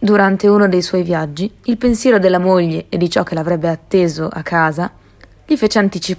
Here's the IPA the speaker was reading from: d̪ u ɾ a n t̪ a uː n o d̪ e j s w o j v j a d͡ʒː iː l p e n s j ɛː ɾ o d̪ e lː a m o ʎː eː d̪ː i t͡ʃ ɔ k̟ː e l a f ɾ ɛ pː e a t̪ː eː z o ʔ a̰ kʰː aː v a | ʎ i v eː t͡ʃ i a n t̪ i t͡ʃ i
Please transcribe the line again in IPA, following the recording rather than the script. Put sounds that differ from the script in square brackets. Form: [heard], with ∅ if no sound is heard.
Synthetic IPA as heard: d̪ u ɾ a n t̪ [e] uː n o d̪ e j s w [ɔ] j v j a d͡ʒː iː l p e n s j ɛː ɾ o d̪ e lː a m o ʎː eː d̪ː i t͡ʃ ɔ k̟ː e l a [v] ɾ ɛ [bː] e a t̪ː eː z o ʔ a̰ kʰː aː [z] a | ʎ i [f] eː t͡ʃ [e] a n t̪ i t͡ʃ i